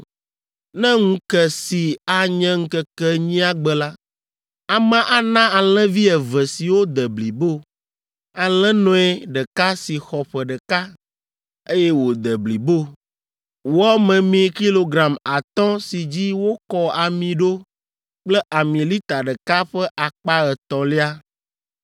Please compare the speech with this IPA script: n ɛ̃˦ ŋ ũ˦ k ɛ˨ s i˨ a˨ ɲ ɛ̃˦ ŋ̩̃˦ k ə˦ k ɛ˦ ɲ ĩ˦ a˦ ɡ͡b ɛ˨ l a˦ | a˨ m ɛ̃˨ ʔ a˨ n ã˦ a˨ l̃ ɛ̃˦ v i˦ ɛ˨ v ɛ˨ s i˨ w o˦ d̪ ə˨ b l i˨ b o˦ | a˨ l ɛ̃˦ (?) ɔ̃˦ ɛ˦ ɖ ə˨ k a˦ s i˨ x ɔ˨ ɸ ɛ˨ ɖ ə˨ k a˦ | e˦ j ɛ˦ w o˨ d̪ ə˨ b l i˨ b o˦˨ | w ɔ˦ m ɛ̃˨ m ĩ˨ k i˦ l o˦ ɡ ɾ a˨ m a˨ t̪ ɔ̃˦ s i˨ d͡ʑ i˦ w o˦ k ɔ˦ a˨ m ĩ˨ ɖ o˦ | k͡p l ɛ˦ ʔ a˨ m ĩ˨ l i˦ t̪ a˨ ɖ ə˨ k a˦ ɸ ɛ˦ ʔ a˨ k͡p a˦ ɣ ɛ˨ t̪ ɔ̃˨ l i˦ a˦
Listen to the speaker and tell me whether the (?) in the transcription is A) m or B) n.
B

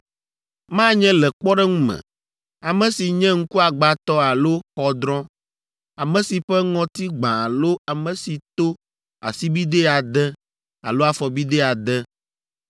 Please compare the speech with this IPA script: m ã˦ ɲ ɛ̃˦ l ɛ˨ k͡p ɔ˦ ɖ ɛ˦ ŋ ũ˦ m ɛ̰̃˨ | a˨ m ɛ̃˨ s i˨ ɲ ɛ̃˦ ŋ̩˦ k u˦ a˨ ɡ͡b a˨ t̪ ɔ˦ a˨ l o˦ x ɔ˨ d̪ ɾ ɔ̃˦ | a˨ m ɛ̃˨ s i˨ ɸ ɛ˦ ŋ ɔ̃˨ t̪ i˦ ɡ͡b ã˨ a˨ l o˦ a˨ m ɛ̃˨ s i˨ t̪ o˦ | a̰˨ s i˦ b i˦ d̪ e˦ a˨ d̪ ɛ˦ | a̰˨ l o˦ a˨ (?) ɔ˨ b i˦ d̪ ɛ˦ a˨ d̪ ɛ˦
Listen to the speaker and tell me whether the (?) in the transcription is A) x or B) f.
B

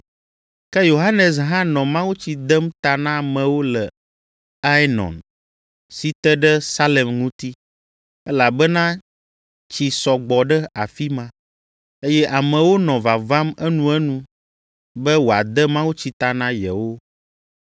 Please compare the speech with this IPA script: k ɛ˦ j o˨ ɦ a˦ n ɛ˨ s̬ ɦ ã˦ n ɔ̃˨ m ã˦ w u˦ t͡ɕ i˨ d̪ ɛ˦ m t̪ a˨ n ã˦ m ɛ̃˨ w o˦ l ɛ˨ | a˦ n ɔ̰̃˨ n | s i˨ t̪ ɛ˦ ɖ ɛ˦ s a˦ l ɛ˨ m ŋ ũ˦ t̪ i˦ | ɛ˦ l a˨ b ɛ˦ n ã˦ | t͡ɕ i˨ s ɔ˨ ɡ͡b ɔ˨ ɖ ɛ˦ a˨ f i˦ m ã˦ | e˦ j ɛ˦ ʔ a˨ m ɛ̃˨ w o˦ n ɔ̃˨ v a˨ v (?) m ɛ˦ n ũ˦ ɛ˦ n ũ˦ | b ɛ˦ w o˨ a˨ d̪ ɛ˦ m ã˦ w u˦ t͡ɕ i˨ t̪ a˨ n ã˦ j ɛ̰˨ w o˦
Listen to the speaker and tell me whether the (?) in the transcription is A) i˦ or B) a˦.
B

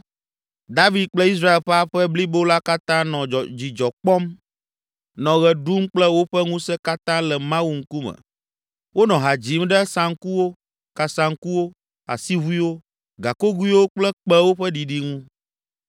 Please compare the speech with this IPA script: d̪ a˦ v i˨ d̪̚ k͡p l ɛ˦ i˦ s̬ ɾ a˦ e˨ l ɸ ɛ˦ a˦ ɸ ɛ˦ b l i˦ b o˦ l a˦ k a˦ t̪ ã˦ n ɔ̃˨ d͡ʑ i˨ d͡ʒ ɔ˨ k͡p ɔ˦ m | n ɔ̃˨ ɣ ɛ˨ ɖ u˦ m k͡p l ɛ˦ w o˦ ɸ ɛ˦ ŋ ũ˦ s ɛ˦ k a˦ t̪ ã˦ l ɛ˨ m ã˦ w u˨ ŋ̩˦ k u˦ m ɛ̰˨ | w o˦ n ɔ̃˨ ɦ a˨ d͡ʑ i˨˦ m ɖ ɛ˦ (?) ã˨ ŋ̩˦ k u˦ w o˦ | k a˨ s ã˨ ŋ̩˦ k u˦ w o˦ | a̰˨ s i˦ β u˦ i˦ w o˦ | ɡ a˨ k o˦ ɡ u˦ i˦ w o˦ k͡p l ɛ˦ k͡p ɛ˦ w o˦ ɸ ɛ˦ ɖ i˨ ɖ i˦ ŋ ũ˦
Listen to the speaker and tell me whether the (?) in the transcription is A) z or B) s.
B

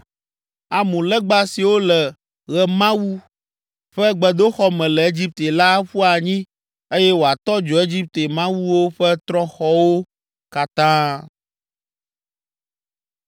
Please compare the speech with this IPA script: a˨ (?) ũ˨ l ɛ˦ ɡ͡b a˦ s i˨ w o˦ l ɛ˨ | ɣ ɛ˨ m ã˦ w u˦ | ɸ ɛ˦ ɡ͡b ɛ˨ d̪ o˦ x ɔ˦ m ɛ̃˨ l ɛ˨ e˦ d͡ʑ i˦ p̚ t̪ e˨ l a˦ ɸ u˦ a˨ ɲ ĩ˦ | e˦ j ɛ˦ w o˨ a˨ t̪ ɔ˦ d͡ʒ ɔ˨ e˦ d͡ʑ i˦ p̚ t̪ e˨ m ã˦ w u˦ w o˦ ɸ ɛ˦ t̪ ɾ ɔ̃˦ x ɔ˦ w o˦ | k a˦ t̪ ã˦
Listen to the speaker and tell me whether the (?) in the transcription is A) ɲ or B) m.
B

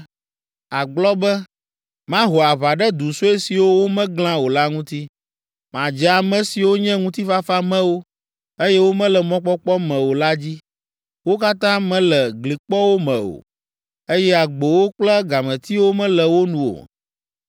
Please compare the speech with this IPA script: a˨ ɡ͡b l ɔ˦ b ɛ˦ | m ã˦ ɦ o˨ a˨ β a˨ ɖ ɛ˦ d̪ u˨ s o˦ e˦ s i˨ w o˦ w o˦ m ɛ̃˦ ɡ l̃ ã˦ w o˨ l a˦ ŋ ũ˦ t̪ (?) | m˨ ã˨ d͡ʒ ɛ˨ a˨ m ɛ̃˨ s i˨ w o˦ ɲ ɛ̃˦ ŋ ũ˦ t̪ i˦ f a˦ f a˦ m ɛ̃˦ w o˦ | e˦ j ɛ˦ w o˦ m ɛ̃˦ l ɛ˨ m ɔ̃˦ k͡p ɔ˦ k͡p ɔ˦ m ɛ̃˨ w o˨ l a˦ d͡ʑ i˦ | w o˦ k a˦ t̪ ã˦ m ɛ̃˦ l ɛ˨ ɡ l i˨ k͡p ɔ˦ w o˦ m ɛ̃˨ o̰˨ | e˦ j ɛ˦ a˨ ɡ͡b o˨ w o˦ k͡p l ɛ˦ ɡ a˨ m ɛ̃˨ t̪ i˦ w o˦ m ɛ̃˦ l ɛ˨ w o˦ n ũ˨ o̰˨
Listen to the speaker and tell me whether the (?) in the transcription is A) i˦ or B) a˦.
A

